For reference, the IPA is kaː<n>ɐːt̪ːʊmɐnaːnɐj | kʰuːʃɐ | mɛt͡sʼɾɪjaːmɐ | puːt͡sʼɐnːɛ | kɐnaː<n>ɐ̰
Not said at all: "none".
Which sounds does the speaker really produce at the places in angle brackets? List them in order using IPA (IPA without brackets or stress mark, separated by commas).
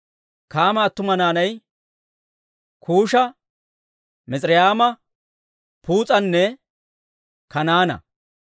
m, n